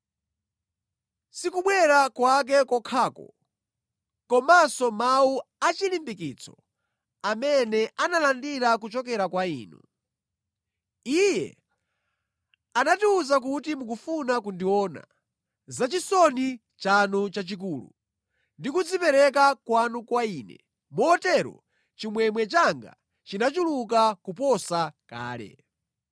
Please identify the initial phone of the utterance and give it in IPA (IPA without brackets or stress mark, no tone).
s